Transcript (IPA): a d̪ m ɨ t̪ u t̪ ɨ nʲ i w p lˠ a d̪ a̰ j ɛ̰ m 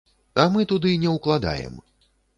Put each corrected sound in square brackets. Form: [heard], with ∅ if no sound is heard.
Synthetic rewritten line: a [∅] m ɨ t̪ u [d̪] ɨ nʲ [ɛ] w [k] lˠ a d̪ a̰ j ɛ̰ m